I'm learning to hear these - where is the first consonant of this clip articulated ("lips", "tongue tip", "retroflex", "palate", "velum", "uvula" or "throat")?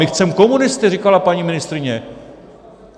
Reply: velum